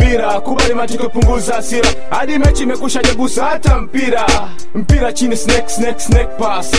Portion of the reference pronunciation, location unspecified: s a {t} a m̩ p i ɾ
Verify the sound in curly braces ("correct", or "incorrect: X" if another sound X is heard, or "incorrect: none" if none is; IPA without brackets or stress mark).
correct